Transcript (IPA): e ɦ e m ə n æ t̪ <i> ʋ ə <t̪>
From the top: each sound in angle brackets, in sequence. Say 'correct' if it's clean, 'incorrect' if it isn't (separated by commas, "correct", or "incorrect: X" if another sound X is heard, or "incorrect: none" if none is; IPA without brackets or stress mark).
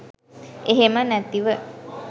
correct, incorrect: none